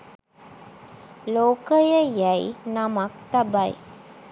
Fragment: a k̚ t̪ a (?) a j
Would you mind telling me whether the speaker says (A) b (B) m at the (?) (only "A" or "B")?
A